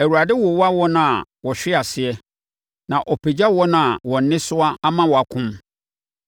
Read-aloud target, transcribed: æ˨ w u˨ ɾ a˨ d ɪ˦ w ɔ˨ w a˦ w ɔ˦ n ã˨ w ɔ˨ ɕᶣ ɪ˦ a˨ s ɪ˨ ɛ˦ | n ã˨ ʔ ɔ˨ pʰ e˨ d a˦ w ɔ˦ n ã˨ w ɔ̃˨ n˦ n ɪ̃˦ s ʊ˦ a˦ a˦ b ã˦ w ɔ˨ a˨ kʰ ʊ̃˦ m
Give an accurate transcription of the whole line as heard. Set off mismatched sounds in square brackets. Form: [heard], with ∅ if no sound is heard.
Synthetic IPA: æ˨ w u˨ ɾ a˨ d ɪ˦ w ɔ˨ w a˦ w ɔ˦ n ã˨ w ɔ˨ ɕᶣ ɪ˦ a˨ s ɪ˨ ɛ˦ | n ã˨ ʔ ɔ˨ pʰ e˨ [d͡ʑ] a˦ w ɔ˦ n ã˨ w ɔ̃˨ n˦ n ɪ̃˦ s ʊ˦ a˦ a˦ [m] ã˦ w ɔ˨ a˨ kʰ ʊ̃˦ m